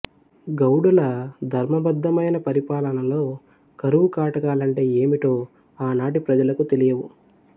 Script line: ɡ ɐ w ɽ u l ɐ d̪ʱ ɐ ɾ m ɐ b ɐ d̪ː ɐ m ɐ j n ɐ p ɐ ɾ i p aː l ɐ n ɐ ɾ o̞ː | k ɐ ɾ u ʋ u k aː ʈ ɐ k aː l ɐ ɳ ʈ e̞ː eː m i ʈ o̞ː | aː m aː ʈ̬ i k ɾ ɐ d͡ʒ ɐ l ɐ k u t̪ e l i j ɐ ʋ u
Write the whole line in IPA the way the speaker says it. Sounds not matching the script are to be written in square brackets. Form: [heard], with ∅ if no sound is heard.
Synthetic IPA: ɡ ɐ w ɽ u l ɐ d̪ʱ ɐ ɾ m ɐ b ɐ d̪ː ɐ m ɐ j n ɐ p ɐ ɾ i p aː l ɐ n ɐ [l] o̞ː | k ɐ ɾ u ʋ u k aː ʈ ɐ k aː l ɐ ɳ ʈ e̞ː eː m i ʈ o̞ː | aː [n] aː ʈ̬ i [p] ɾ ɐ d͡ʒ ɐ l ɐ k u t̪ e l i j ɐ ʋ u